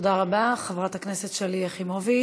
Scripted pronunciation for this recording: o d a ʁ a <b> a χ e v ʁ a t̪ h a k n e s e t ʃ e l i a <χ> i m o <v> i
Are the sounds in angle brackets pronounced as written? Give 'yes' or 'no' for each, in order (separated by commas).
yes, yes, yes